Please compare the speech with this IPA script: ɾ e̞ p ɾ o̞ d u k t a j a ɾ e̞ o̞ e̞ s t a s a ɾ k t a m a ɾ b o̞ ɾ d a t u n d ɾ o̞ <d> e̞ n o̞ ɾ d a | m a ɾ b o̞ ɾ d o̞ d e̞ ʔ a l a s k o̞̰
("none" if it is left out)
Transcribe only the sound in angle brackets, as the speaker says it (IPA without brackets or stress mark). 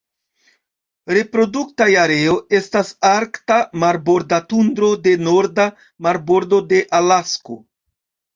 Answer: d